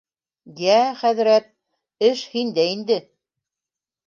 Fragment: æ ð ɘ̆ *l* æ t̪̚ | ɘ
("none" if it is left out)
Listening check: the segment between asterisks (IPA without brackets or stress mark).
ɾ